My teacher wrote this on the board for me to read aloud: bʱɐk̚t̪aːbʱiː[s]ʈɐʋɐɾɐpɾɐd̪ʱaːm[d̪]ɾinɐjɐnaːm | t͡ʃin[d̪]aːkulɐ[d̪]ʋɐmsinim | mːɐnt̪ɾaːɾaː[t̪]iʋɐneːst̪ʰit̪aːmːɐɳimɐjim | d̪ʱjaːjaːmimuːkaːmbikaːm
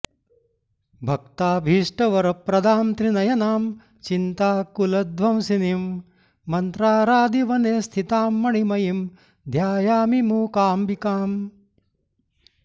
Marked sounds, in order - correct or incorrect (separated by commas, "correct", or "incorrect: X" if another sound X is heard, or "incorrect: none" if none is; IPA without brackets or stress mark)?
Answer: incorrect: ʂ, incorrect: t̪, incorrect: t̪, correct, incorrect: d̪